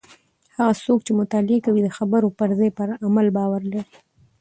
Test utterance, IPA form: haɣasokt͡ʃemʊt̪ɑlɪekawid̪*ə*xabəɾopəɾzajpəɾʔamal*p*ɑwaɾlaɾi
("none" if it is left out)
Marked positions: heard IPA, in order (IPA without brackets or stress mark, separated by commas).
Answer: ə, b